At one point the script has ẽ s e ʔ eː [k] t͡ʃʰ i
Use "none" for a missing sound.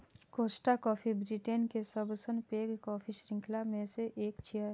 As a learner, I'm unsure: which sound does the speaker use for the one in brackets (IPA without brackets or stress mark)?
k